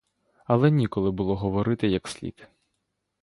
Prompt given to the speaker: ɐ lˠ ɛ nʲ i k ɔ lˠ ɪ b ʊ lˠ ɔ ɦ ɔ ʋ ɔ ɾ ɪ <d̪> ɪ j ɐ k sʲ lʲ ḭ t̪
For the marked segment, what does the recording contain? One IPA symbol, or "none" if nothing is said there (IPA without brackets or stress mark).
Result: t̪